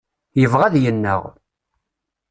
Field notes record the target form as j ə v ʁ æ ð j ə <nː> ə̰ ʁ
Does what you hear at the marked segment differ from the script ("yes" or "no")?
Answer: no